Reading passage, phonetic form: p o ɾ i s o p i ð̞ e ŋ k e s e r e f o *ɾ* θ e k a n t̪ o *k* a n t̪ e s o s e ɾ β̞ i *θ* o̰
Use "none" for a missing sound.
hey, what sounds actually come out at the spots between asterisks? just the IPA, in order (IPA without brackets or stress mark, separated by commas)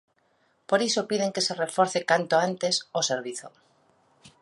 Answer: ɾ, none, θ